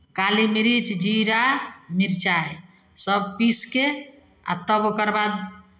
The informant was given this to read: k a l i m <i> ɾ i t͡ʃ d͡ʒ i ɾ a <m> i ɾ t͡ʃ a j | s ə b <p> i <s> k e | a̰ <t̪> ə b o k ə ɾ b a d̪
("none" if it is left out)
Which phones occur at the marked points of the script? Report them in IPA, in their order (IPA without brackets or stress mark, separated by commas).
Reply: i, m, p, s, t̪